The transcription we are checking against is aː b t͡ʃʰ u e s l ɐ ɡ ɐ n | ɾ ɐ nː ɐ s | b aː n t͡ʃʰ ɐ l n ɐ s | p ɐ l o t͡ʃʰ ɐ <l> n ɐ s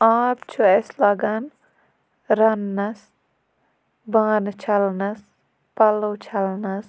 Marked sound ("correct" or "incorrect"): correct